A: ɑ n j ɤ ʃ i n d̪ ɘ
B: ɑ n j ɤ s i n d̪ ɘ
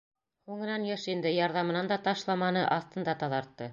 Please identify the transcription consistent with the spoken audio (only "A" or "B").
A